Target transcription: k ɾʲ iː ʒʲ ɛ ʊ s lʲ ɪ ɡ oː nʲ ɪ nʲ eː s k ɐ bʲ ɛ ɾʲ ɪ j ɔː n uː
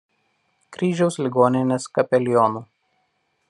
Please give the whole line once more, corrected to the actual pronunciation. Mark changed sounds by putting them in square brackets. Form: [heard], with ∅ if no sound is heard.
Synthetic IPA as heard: k ɾʲ iː ʒʲ ɛ ʊ s lʲ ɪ ɡ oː nʲ ɪ nʲ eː s k ɐ [pʲ] ɛ [lʲ] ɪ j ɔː n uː